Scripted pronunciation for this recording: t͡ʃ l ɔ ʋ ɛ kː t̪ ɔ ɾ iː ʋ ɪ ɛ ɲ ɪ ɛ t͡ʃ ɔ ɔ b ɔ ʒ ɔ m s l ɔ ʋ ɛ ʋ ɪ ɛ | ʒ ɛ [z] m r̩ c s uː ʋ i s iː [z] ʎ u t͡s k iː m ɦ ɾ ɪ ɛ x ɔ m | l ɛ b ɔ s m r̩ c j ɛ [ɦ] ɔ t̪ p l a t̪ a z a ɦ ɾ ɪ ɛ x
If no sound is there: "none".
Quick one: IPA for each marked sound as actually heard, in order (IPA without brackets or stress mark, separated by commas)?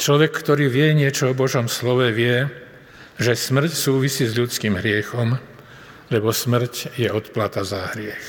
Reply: s, z, none